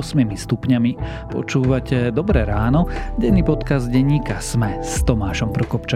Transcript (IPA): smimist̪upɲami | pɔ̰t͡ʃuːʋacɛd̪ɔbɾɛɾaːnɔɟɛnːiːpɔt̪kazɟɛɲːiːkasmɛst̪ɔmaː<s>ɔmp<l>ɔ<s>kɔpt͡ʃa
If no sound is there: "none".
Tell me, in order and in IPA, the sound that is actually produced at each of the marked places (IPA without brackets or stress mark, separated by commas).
ʃ, ɾ, none